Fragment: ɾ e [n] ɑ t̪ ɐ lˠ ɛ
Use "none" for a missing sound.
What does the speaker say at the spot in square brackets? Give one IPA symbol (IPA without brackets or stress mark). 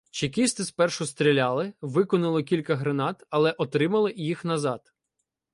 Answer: n